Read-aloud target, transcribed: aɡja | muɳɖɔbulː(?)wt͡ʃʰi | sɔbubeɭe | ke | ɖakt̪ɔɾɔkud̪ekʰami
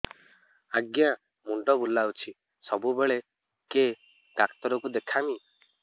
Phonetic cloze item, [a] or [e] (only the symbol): a